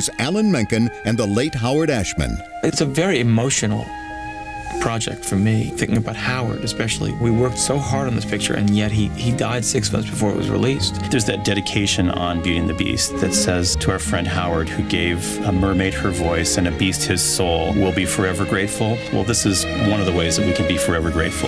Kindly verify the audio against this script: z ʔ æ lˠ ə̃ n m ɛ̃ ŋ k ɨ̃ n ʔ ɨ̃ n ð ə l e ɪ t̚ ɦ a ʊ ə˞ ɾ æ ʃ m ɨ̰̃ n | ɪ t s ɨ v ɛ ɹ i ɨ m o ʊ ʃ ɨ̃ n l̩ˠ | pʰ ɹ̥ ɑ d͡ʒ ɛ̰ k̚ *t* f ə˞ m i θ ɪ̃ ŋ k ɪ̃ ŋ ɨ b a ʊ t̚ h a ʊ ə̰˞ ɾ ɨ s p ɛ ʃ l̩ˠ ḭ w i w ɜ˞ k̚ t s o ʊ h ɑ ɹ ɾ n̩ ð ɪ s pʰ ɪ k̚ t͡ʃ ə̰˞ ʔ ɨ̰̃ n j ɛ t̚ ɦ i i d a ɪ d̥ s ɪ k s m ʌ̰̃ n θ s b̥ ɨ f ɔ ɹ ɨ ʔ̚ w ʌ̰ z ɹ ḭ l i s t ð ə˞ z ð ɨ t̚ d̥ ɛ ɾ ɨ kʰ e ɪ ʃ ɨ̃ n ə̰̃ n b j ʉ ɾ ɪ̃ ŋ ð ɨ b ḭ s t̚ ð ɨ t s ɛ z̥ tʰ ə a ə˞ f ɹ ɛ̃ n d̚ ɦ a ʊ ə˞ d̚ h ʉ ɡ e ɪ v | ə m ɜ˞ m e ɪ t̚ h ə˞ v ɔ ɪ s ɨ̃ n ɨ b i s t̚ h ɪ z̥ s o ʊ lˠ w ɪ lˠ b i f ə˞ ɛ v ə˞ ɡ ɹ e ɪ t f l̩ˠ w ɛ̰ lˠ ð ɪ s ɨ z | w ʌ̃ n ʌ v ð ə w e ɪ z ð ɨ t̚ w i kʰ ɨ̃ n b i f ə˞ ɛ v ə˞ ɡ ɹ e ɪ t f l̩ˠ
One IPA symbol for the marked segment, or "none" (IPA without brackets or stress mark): t